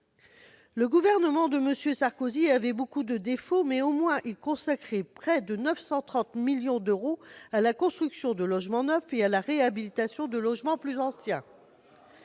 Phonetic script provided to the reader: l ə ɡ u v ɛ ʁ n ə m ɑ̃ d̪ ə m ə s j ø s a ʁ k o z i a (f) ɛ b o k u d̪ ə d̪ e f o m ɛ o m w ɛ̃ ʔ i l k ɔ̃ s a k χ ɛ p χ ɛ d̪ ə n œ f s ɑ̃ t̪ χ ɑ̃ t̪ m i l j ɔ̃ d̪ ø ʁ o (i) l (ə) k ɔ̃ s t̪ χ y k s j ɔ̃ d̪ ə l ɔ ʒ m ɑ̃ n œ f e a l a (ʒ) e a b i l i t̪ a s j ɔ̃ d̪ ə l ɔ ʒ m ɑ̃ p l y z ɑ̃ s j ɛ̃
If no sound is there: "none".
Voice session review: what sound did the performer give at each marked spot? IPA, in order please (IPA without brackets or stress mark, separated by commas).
v, a, a, ʁ